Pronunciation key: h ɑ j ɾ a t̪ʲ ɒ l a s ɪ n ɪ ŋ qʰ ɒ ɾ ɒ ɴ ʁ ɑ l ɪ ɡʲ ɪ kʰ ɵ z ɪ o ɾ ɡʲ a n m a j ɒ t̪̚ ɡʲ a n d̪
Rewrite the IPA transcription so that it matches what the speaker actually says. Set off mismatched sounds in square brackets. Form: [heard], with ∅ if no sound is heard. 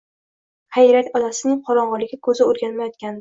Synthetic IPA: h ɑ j ɾ a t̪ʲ ɒ l a s ɪ n ɪ ŋ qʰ ɒ ɾ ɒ ɴ ʁ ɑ l ɪ ɡʲ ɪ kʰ ɵ z ɪ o ɾ ɡʲ a n m a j ɒ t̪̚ [kʲ] a n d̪